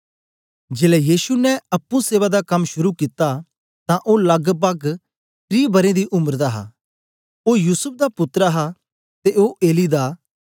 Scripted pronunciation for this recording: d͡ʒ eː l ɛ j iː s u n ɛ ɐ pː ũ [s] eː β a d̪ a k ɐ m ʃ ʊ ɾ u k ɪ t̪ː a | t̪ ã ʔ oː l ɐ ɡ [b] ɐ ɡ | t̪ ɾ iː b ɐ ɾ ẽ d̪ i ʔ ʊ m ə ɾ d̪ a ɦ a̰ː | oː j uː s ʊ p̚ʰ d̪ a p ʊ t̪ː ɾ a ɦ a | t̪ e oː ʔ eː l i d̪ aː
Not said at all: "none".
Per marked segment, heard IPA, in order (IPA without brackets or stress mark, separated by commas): s, b